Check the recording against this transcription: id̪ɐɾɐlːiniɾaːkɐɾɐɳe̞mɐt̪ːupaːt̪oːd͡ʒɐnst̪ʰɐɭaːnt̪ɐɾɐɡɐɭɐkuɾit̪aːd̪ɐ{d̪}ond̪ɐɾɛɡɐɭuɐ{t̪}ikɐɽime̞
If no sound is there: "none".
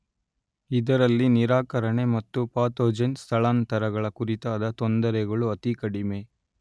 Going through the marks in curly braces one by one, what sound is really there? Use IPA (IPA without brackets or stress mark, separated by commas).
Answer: t̪, t̪